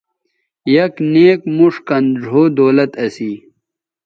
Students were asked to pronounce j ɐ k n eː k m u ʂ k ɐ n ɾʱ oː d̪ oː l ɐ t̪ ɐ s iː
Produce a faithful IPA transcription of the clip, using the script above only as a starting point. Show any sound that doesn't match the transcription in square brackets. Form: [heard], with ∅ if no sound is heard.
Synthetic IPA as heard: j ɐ k n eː k m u ʂ k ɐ n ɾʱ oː d̪ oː l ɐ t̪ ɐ s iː